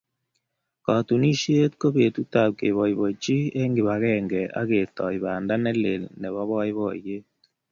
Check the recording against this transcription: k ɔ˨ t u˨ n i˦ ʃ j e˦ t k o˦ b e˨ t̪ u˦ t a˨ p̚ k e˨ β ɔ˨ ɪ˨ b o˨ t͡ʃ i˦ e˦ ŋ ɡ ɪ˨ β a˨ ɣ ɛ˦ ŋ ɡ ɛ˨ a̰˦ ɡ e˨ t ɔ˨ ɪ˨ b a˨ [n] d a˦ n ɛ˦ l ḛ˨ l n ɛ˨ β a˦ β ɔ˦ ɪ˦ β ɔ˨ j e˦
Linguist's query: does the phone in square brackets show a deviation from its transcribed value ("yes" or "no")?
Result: no